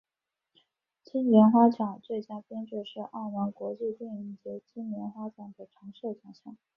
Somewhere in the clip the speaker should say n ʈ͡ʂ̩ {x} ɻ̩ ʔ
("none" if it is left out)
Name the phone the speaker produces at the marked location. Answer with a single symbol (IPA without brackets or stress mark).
ʂ